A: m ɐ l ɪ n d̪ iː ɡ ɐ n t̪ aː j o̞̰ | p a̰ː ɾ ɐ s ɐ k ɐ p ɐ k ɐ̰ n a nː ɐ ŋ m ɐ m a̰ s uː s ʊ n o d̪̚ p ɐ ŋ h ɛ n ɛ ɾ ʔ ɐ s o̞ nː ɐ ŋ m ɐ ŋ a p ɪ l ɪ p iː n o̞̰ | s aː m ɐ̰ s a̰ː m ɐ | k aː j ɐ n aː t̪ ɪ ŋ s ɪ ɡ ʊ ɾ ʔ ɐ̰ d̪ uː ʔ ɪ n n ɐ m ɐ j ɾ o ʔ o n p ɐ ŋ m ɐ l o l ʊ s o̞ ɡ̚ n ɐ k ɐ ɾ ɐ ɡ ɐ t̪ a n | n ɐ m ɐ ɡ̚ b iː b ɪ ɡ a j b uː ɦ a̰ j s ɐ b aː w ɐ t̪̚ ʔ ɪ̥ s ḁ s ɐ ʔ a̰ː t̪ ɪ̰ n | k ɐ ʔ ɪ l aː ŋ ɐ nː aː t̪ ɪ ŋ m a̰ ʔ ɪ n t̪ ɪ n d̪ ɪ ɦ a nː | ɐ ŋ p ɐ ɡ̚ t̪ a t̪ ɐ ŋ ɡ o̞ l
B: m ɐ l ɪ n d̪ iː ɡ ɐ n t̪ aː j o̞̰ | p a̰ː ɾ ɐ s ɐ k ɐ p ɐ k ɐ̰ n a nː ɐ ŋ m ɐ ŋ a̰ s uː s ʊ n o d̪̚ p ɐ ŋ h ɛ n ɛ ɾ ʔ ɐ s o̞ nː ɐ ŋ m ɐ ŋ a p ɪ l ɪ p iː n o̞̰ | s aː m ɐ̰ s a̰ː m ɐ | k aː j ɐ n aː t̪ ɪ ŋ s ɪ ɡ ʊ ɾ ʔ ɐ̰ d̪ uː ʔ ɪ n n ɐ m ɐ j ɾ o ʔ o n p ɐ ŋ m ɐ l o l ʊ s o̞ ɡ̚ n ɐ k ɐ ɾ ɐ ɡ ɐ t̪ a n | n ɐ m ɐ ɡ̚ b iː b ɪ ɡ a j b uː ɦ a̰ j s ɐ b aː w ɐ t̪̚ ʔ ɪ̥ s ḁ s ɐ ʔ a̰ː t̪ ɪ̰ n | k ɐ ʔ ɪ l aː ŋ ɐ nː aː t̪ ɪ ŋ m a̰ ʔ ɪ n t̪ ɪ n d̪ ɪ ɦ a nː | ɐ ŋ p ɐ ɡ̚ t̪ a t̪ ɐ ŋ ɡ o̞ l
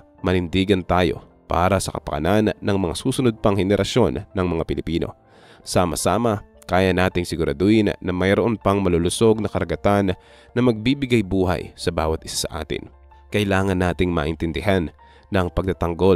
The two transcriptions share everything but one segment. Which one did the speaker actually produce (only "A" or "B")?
B